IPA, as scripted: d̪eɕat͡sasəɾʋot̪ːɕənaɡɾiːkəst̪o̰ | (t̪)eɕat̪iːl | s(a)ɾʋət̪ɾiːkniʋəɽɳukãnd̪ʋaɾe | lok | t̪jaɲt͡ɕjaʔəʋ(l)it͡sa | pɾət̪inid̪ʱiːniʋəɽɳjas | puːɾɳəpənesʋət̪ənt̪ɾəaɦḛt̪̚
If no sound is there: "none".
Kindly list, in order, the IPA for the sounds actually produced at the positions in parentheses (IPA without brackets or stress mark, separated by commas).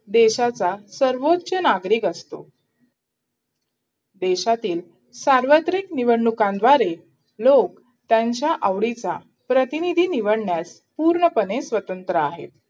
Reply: d̪, a, ɽ